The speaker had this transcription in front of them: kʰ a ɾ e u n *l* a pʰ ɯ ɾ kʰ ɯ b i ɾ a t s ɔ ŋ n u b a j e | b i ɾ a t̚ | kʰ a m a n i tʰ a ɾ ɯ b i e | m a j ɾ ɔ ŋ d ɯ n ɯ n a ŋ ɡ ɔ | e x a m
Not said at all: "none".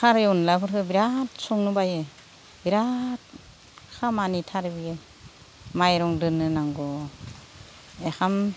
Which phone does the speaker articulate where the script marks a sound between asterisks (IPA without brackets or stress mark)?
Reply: l